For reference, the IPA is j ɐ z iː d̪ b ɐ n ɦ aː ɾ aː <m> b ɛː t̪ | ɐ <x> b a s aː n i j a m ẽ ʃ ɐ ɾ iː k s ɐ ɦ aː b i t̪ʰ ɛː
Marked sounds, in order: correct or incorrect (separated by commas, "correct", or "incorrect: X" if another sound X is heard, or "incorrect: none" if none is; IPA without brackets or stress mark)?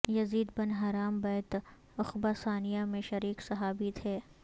correct, correct